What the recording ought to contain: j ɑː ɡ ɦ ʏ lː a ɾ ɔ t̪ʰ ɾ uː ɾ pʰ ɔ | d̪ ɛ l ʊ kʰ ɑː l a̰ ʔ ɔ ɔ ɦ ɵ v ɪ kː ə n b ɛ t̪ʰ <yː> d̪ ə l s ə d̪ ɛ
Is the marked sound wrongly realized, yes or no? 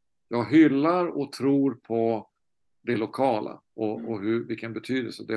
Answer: no